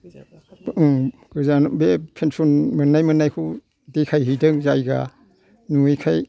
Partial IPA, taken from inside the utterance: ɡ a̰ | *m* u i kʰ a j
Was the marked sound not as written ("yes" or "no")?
yes